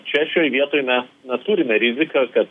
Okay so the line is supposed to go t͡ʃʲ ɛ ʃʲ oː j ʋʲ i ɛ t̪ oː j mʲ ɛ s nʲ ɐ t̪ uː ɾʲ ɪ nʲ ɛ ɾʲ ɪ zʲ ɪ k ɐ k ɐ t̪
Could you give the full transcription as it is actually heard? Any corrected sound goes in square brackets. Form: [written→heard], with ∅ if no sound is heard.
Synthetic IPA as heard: t͡ʃʲ ɛ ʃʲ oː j ʋʲ i ɛ t̪ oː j mʲ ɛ s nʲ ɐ t̪ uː ɾʲ ɪ [nʲ→mʲ] ɛ ɾʲ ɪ zʲ ɪ k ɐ k ɐ t̪